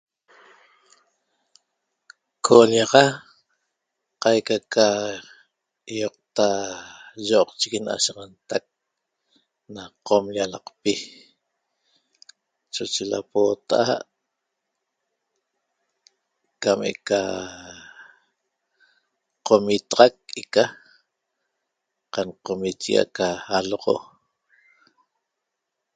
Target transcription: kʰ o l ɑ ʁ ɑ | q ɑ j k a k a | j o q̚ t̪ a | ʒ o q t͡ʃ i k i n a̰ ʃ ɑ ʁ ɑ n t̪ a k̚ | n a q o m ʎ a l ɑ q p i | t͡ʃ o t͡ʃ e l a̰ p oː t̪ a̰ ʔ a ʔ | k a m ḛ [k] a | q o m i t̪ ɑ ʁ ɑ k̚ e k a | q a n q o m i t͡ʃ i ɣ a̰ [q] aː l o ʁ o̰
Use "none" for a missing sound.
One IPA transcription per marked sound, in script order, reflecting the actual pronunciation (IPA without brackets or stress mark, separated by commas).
k, k